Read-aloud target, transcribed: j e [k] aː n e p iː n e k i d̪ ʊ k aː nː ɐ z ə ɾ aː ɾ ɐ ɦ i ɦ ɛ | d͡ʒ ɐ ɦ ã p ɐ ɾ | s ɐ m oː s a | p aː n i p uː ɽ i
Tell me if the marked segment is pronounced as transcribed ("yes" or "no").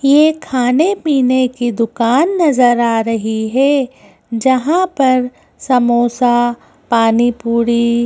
no